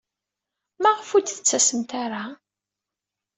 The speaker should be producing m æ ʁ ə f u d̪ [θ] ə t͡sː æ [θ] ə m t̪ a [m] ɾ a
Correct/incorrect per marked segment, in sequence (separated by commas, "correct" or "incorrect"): correct, incorrect, incorrect